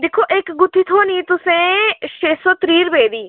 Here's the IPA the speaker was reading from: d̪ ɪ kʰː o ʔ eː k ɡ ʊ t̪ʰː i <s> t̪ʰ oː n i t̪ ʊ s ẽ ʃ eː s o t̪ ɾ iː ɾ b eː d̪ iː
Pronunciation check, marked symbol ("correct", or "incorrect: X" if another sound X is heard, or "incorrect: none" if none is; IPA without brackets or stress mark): incorrect: none